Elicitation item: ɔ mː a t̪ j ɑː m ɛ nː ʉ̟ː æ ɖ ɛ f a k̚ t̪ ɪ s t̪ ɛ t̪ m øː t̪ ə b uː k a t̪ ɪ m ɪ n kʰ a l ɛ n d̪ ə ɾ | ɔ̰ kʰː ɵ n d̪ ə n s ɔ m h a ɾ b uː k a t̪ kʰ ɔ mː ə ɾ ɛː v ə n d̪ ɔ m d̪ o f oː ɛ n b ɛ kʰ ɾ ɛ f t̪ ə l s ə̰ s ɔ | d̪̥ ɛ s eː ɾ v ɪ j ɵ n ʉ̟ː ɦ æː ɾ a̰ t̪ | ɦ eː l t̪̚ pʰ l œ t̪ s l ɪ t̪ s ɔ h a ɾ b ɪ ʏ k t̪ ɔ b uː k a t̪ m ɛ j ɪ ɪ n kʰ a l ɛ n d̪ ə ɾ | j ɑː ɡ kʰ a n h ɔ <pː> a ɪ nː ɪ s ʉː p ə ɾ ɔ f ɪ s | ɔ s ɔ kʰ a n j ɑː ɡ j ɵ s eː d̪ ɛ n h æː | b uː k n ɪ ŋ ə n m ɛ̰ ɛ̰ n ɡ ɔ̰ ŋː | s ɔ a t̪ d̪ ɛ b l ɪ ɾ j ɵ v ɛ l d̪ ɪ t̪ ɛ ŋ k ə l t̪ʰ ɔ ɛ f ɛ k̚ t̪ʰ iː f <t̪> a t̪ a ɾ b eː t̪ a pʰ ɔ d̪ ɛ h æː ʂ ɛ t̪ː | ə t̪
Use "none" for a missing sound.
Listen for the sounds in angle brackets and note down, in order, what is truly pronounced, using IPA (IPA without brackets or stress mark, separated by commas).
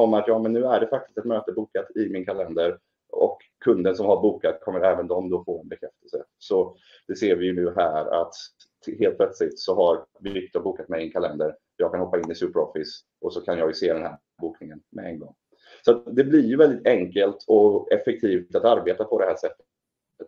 pː, t̪